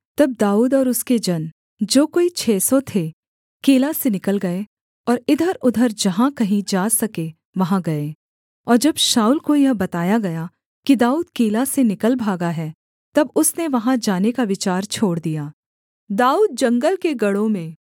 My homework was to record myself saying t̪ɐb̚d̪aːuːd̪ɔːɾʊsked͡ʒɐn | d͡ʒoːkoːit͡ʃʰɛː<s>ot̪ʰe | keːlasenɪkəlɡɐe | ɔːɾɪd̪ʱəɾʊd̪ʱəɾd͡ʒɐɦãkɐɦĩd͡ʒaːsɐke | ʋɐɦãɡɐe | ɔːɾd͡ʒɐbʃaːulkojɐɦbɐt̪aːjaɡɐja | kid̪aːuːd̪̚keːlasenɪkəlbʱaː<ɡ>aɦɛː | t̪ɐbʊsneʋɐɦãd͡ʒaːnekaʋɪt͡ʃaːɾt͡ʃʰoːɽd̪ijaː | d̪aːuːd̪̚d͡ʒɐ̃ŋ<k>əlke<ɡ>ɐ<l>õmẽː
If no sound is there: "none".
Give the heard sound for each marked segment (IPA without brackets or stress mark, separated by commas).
s, ɡ, ɡ, ɡ, ɽ